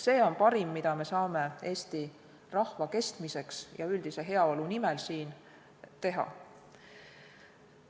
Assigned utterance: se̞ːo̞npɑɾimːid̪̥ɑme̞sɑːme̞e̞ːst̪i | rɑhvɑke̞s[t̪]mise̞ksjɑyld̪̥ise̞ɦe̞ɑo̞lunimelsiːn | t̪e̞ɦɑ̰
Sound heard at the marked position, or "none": t̪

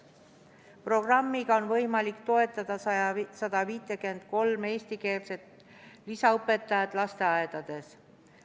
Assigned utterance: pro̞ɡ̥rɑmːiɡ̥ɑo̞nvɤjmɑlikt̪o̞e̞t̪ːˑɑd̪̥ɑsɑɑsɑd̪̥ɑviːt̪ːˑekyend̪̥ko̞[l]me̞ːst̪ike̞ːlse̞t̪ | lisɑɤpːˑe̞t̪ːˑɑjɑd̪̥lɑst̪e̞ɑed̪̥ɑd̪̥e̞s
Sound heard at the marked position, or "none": l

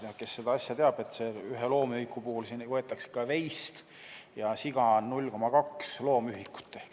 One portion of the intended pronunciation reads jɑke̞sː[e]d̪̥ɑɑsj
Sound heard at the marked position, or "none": e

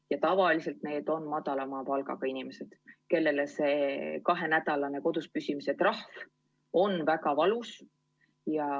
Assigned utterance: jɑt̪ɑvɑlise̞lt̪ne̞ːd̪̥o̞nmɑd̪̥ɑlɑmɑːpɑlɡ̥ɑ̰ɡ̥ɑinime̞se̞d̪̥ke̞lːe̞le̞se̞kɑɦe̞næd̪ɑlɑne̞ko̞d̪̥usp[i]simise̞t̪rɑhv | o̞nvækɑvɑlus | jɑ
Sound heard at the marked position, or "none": y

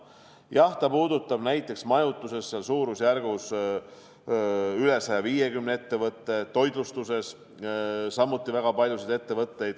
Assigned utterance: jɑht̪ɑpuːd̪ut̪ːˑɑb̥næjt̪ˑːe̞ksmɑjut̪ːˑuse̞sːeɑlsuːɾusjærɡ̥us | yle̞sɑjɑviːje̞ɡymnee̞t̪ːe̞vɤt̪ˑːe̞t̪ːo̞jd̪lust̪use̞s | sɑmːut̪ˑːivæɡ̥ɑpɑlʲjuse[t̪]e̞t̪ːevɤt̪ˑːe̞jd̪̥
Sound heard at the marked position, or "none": d̪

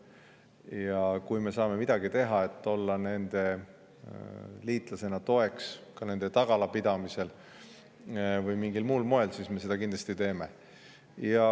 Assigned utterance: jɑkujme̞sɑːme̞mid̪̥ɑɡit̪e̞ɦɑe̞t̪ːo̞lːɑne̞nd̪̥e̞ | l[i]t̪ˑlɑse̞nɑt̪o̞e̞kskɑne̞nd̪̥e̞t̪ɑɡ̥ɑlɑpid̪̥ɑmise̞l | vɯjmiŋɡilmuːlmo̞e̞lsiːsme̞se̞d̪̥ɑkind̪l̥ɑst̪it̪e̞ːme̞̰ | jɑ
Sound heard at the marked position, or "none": iː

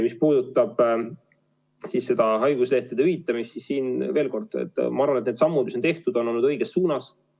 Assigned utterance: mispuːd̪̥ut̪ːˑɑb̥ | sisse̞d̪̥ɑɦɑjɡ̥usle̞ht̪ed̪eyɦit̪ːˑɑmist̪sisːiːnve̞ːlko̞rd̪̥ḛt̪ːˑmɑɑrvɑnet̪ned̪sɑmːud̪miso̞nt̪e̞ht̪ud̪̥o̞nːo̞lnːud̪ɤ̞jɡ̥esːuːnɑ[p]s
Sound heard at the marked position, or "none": none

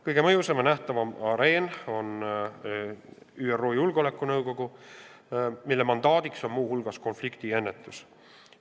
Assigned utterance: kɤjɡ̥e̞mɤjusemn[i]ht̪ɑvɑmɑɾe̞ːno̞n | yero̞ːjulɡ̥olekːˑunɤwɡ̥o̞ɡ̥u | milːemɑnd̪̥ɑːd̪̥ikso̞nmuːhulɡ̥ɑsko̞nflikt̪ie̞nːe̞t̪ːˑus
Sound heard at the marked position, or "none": æ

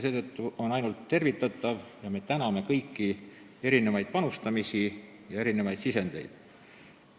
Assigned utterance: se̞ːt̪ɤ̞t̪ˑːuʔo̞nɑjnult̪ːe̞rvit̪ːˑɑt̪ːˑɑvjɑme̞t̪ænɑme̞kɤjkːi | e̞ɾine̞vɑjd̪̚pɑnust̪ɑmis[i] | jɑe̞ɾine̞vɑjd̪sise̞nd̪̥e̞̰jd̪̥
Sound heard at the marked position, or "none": i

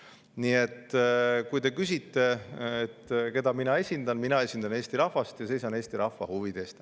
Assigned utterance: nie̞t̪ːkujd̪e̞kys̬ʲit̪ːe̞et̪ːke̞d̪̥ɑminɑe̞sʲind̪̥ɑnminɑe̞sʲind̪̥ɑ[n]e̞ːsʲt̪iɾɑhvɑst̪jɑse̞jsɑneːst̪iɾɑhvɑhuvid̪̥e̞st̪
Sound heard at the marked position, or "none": n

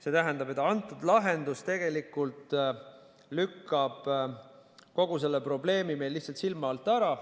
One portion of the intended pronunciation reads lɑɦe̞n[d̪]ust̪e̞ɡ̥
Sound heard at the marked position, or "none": d̪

